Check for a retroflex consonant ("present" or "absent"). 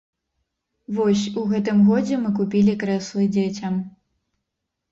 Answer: absent